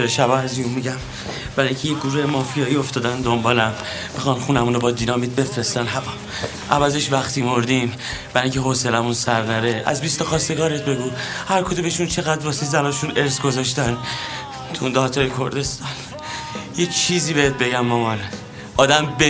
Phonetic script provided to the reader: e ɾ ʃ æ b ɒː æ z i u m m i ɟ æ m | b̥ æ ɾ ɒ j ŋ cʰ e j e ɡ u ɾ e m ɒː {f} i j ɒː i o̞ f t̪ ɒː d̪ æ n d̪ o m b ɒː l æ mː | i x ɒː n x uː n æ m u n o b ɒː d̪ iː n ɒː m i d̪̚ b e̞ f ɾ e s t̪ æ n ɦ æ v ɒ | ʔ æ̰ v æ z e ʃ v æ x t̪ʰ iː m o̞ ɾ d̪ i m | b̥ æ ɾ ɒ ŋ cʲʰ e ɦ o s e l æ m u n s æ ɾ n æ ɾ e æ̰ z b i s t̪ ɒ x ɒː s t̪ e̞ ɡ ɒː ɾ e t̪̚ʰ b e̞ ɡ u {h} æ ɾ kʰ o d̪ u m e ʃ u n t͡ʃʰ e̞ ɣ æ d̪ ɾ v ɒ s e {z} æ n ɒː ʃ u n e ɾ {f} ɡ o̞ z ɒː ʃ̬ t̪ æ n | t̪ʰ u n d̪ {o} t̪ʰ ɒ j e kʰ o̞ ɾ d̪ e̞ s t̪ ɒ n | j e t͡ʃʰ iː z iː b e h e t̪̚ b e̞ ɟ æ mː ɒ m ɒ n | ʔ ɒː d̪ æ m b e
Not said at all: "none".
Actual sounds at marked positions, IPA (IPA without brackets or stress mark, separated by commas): f, h, z, s, ɒ